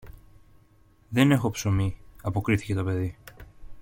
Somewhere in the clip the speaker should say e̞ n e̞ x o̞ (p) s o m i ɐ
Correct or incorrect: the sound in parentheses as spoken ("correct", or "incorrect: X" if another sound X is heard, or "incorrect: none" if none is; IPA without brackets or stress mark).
correct